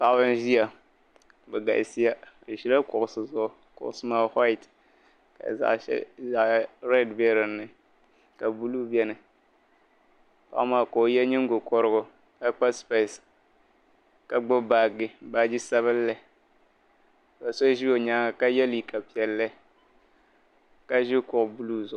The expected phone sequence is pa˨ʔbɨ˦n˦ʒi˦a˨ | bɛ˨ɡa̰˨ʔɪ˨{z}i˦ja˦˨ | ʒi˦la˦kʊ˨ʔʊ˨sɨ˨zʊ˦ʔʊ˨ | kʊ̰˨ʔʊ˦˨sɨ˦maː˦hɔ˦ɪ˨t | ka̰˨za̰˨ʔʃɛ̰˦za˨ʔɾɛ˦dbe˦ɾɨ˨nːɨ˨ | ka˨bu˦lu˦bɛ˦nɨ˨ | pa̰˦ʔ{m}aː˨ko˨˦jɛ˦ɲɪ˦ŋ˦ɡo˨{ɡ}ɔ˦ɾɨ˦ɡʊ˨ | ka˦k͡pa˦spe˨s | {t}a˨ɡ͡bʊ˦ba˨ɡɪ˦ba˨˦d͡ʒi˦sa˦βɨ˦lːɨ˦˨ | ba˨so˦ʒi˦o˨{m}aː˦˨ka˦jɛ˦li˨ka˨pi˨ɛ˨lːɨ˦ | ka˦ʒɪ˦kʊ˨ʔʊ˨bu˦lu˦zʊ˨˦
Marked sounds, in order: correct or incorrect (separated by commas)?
incorrect, correct, incorrect, incorrect, incorrect